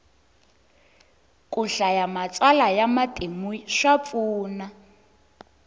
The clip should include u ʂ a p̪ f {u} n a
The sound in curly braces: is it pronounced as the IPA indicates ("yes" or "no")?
no